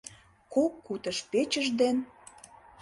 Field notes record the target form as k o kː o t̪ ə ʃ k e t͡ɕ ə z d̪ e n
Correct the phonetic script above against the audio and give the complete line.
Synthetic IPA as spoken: k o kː u t̪ ə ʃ p e t͡ɕ ə ʒ d̪ e n